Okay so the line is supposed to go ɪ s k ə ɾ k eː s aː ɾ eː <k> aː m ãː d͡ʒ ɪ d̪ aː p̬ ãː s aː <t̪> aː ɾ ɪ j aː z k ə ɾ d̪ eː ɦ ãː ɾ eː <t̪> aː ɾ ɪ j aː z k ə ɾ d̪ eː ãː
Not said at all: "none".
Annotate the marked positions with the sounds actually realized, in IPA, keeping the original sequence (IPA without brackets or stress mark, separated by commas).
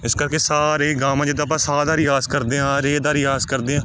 ɡ, d̪, d̪